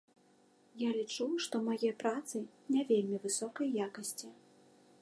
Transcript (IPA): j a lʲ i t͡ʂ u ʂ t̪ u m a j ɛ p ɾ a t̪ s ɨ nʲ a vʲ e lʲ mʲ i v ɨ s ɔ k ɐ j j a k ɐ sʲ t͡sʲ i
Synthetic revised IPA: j a lʲ i t͡ʂ u ʂ t̪ ɔ m a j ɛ p ɾ a t̪ s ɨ nʲ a vʲ e lʲ mʲ i v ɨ s ɔ k ɐ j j a k ɐ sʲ t͡sʲ i